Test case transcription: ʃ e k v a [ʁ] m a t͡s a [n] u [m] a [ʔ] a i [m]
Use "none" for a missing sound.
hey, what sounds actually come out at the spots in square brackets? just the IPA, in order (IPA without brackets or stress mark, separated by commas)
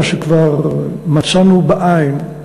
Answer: ʁ, n, b, ʔ, n